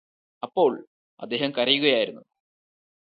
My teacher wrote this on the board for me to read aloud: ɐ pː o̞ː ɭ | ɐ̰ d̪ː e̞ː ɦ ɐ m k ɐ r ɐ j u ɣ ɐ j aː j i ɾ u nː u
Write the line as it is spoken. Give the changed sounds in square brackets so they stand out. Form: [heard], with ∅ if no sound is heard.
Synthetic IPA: ɐ pː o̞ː ɭ | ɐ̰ d̪ː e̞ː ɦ ɐ m k ɐ r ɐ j u ɣ ɐ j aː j i ɾ u nː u